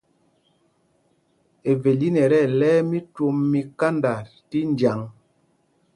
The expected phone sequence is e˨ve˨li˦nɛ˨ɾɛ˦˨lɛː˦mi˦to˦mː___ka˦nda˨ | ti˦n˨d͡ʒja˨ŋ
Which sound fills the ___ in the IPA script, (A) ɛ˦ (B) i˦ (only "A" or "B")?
B